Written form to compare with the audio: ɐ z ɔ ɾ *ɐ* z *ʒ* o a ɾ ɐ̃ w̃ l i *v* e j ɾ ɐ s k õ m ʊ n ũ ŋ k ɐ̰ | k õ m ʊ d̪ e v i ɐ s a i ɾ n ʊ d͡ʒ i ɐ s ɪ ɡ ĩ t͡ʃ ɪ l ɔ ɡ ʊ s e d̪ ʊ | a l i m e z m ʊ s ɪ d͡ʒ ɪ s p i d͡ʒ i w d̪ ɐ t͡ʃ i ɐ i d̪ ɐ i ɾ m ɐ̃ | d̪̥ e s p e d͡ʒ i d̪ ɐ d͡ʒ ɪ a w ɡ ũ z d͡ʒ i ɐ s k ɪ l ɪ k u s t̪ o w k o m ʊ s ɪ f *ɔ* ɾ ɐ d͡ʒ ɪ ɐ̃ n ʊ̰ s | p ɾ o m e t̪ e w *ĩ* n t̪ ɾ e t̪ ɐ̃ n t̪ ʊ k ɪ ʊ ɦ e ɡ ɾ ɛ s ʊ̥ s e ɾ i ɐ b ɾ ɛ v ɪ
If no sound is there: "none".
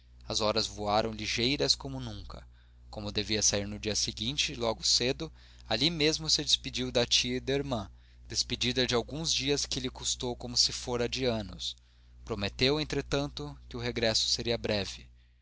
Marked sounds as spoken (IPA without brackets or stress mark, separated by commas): ɐ, v, ʒ, o, ẽ